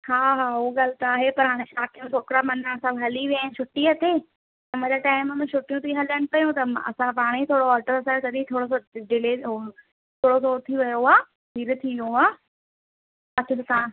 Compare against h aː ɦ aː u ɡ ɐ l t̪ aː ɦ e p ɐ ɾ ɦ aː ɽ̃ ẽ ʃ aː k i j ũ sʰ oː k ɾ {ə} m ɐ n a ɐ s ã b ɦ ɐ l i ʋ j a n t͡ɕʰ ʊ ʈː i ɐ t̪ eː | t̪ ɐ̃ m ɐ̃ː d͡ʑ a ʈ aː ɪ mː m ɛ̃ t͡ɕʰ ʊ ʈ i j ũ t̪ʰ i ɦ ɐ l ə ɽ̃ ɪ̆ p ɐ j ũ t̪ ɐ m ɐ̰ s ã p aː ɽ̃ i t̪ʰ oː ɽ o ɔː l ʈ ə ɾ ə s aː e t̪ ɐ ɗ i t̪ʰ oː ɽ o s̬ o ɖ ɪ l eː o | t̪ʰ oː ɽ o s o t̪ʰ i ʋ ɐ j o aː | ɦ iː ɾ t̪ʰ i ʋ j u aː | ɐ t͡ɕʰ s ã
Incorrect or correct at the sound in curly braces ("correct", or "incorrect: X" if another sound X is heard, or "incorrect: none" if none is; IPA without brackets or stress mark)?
incorrect: a